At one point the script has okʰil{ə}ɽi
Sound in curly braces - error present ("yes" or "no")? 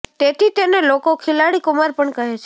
yes